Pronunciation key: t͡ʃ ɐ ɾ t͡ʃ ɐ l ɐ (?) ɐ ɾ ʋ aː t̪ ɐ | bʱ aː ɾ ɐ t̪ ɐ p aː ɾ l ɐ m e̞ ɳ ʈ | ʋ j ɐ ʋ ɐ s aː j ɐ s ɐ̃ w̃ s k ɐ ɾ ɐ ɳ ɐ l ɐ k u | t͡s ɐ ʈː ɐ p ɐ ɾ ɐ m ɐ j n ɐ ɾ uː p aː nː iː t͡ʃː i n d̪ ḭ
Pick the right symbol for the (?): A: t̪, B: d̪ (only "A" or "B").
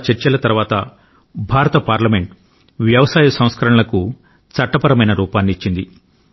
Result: A